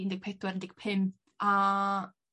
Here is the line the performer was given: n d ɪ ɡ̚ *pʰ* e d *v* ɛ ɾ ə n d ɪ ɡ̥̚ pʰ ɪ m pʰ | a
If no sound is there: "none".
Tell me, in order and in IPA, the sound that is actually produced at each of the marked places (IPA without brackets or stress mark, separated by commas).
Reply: pʰ, w